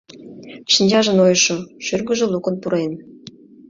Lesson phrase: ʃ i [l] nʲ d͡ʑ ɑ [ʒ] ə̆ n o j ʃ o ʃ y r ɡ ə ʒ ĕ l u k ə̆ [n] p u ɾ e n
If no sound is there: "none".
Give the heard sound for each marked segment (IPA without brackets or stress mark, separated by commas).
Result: none, ʒ, n